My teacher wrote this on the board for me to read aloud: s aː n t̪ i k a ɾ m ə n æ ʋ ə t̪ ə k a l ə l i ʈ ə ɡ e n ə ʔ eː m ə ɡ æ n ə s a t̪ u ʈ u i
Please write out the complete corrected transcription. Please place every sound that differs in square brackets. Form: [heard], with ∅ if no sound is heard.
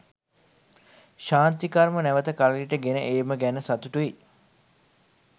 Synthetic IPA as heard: [ʃ] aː n t̪ i k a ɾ m ə n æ ʋ ə t̪ ə k a l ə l i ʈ ə ɡ e n ə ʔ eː m ə ɡ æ n ə s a t̪ u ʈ u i